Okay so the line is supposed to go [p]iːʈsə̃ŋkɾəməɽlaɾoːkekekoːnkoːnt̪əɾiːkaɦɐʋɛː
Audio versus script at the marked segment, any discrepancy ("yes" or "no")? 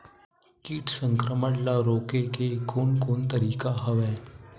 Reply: yes